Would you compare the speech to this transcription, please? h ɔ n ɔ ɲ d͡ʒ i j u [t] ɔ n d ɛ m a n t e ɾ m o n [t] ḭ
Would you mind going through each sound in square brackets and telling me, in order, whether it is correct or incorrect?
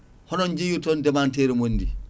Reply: correct, incorrect: d

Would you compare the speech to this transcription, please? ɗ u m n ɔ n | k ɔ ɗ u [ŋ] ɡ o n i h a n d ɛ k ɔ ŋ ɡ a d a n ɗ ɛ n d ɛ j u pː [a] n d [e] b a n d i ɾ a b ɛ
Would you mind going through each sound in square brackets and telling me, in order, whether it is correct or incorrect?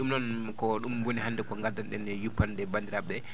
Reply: incorrect: m, correct, incorrect: ɛ

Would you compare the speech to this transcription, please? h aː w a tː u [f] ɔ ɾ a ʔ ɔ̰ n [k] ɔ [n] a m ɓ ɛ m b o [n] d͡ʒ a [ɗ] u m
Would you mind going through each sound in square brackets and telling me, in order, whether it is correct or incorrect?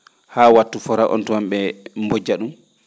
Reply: correct, incorrect: t, incorrect: none, incorrect: none, correct

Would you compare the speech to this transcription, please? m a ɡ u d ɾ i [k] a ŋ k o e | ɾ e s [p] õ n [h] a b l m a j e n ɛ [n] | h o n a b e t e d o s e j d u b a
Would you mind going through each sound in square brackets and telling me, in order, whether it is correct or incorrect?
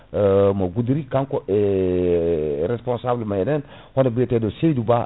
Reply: correct, correct, incorrect: s, correct

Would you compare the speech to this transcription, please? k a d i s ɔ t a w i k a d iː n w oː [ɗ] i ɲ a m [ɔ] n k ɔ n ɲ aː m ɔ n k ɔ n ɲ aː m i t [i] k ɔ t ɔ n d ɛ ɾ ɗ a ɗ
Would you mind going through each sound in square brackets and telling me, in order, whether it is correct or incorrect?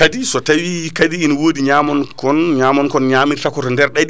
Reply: incorrect: d, correct, incorrect: a

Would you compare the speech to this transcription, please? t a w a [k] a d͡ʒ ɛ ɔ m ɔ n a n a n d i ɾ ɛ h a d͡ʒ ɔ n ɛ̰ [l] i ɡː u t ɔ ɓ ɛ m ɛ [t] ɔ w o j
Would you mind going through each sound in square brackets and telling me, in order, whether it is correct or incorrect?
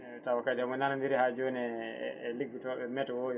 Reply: correct, correct, correct

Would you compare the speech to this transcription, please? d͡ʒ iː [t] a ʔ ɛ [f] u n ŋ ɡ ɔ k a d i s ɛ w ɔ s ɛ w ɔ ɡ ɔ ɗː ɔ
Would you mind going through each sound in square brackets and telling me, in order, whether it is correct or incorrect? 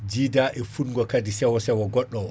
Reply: incorrect: d, correct

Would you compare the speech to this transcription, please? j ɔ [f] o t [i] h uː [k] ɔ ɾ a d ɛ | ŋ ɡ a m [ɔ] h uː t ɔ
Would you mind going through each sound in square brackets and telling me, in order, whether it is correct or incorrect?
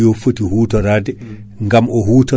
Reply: correct, correct, incorrect: t, correct

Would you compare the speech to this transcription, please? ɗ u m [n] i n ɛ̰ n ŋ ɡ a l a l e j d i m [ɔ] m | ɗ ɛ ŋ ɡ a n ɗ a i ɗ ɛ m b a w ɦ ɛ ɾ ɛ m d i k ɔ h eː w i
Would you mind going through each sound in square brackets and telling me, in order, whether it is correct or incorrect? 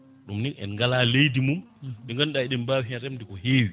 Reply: correct, incorrect: u

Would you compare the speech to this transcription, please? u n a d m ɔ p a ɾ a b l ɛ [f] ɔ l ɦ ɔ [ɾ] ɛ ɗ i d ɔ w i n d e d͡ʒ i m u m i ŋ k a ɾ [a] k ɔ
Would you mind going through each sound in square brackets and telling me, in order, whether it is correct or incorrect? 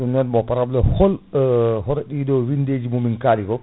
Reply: incorrect: h, correct, incorrect: i

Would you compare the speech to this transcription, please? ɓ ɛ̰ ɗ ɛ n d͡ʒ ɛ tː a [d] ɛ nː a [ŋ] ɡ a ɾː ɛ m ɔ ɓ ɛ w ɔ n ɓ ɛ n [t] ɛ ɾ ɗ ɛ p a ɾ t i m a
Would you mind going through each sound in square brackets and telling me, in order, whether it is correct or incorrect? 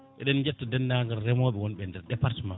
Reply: correct, correct, incorrect: d

